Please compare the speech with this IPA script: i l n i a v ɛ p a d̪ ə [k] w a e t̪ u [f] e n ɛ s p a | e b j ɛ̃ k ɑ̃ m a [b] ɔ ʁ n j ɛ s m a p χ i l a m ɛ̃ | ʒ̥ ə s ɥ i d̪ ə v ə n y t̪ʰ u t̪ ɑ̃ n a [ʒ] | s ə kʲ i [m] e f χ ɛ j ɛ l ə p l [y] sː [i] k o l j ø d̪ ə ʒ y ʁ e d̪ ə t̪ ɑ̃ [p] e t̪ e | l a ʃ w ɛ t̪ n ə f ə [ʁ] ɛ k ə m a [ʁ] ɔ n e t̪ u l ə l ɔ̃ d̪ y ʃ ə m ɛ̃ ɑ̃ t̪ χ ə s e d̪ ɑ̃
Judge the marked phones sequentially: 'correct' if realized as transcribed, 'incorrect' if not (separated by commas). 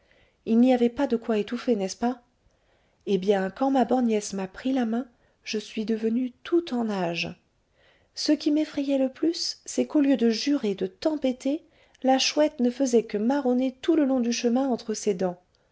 correct, correct, correct, correct, correct, correct, incorrect, correct, incorrect, correct